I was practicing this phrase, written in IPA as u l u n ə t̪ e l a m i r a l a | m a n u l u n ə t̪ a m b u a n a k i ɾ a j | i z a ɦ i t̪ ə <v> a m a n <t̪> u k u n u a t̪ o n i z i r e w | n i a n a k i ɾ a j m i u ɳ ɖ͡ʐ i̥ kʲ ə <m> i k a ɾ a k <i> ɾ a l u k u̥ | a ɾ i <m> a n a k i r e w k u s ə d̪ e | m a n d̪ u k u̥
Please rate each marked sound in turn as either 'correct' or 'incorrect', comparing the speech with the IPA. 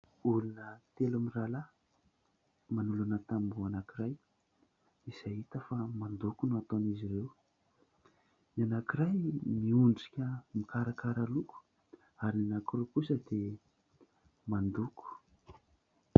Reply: incorrect: f, incorrect: d̪, correct, incorrect: a, incorrect: n

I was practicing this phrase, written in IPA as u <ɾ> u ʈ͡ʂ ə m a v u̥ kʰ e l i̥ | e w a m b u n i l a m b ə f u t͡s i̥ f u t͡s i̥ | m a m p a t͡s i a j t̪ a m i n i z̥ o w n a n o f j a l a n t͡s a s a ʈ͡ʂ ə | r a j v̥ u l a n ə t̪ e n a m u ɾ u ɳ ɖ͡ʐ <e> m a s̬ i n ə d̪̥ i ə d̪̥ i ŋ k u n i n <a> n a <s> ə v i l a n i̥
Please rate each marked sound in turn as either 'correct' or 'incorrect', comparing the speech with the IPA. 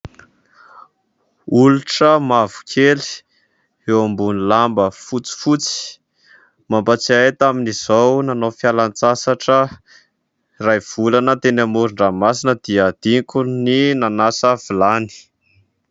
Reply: incorrect: l, incorrect: a, correct, correct

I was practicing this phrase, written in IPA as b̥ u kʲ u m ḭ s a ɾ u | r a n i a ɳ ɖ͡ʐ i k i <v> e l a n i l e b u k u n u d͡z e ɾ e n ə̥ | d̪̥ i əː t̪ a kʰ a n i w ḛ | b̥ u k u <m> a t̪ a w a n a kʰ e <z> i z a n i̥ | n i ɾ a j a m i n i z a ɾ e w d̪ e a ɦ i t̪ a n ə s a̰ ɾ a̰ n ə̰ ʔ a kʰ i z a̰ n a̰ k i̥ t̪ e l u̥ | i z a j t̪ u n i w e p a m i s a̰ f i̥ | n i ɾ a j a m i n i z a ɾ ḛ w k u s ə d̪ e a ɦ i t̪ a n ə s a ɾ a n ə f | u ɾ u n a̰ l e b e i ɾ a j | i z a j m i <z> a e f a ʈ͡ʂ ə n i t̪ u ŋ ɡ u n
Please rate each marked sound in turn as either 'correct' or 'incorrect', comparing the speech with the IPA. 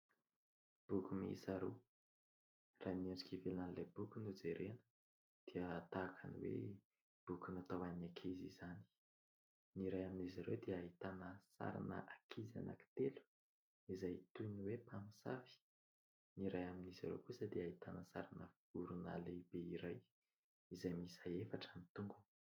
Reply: correct, incorrect: n, correct, incorrect: s

